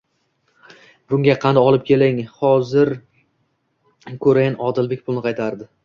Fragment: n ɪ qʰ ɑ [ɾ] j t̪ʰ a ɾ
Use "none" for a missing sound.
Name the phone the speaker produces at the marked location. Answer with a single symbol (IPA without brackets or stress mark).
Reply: none